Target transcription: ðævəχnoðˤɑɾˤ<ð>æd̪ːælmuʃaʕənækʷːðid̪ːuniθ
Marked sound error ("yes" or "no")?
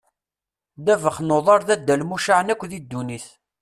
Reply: no